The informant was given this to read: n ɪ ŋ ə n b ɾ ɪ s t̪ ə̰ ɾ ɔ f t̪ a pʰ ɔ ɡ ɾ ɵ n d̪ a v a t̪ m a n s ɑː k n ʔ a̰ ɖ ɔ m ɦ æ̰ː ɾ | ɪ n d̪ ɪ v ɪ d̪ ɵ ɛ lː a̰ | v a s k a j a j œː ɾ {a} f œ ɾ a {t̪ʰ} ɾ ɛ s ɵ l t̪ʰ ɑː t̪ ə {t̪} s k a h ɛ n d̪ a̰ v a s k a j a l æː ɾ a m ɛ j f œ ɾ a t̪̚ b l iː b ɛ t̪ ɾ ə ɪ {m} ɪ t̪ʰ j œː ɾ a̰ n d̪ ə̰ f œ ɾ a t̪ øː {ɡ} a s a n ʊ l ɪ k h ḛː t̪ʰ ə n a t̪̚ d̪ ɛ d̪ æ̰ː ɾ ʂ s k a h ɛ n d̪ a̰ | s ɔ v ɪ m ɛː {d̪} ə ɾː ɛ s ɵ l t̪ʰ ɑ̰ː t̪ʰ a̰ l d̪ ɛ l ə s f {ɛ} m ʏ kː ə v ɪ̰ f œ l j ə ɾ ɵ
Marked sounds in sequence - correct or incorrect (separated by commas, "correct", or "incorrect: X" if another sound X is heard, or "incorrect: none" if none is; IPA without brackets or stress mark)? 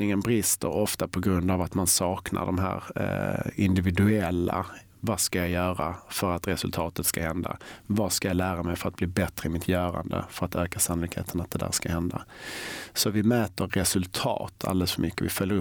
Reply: correct, incorrect: t̪, correct, correct, incorrect: k, incorrect: t̪, incorrect: œ